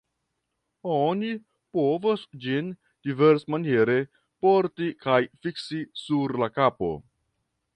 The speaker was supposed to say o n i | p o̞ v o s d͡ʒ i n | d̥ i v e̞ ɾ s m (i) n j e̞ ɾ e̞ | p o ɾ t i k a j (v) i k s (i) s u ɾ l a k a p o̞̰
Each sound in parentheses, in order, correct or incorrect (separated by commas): incorrect, incorrect, correct